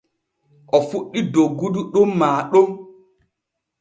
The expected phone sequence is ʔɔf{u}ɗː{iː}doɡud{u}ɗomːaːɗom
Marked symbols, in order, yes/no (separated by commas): yes, no, yes